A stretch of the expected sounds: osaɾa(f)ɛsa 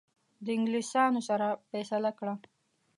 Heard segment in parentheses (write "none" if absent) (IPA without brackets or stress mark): f